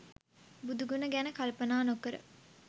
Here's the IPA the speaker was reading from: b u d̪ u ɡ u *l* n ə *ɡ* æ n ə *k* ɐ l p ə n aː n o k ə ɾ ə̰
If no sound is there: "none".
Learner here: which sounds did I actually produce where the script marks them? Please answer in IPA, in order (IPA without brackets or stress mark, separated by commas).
none, ɡ, k